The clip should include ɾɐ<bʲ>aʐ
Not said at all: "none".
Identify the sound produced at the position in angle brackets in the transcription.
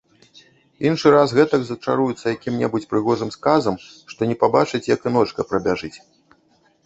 bʲ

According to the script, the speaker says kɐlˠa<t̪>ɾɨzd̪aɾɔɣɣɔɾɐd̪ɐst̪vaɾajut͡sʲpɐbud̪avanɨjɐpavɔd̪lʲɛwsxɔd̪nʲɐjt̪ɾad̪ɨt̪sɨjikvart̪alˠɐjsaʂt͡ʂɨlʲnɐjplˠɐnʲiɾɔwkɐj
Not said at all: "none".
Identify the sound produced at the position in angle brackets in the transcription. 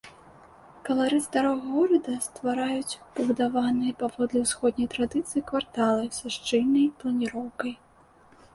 none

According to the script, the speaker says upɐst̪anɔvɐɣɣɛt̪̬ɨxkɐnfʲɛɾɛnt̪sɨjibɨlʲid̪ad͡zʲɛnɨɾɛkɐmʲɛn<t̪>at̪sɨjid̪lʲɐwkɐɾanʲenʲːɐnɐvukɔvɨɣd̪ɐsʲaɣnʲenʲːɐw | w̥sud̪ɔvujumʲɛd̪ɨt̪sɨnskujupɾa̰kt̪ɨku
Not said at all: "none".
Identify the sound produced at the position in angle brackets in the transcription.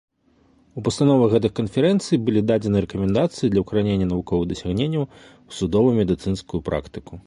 d̪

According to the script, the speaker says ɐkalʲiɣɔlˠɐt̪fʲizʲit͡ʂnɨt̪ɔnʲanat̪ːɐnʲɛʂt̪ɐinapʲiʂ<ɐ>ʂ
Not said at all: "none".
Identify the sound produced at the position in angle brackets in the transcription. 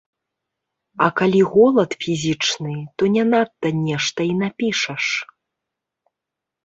ɐ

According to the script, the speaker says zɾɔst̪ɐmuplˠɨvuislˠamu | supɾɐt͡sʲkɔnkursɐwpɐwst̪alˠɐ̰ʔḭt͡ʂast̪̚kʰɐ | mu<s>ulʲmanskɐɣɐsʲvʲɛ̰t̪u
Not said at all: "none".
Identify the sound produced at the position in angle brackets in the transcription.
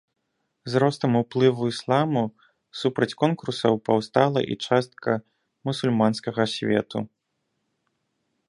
s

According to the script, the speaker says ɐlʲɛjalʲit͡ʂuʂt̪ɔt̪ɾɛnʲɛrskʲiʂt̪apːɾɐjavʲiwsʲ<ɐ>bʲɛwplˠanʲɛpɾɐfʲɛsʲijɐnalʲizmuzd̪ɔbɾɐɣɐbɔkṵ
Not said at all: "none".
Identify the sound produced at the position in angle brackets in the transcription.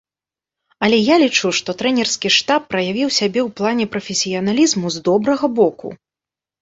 a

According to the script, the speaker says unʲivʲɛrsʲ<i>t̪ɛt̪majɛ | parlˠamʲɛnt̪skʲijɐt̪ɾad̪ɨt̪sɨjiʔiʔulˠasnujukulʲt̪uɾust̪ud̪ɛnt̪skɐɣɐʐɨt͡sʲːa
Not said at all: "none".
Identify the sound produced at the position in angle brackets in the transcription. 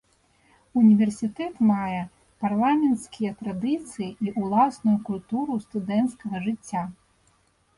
i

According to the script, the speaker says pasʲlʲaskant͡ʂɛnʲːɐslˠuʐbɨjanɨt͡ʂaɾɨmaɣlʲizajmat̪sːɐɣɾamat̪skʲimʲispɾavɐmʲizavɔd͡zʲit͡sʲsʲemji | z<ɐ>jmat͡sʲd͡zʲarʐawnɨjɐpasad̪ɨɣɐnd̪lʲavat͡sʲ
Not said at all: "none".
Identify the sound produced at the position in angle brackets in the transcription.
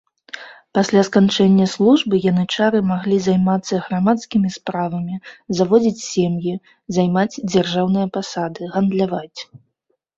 a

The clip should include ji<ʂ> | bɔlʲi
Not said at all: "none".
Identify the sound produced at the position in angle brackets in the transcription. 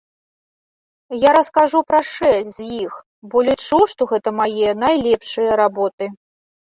x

